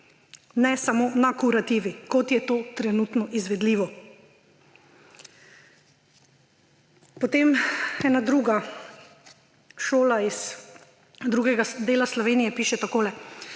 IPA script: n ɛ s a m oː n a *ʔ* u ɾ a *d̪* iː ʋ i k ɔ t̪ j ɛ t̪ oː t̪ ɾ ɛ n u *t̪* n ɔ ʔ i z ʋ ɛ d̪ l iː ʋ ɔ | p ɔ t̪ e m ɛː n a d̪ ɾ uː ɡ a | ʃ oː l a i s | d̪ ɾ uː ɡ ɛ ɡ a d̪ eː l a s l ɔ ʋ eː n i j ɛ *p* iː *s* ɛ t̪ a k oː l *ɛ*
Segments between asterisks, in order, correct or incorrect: incorrect, incorrect, correct, correct, incorrect, correct

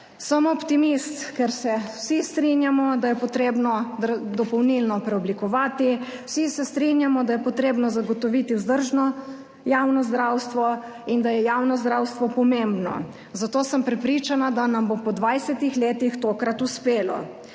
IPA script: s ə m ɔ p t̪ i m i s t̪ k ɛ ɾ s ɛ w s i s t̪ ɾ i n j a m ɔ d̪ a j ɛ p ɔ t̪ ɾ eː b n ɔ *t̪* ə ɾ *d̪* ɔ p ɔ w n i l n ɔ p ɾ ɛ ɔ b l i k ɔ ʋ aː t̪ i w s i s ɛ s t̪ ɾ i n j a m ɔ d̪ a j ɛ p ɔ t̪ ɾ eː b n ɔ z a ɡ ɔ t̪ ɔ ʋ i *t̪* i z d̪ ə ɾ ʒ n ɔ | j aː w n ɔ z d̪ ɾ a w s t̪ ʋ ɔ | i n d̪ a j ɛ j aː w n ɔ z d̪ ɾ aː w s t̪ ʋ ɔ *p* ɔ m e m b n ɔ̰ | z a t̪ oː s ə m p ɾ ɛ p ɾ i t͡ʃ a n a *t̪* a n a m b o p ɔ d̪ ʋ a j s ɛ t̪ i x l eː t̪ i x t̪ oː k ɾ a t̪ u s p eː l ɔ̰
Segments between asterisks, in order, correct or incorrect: incorrect, correct, correct, correct, incorrect

